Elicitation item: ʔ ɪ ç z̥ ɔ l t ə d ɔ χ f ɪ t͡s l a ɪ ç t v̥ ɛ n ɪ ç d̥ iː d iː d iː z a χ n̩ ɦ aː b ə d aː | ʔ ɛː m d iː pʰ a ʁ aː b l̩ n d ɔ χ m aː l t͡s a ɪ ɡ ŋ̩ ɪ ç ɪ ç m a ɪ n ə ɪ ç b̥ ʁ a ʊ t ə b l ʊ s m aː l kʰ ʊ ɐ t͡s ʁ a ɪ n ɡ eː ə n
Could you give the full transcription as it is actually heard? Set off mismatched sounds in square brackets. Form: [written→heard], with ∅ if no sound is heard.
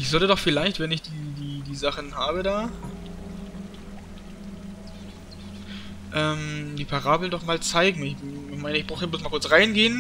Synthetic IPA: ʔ ɪ ç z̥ ɔ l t ə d ɔ χ f ɪ [t͡s→∅] l a ɪ ç t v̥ ɛ n ɪ ç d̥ iː d iː d iː z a χ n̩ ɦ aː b ə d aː | ʔ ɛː m d iː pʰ a ʁ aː b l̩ n d ɔ χ m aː l t͡s a ɪ ɡ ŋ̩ ɪ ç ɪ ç m a ɪ n ə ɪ ç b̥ ʁ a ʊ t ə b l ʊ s m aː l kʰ ʊ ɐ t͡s ʁ a ɪ n ɡ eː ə n